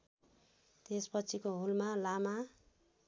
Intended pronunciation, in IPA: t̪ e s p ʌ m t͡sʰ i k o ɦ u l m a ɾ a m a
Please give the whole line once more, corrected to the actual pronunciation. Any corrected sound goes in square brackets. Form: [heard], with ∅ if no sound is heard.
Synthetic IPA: t̪ e s p ʌ [∅] t͡sʰ i k o ɦ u l m a [l] a m a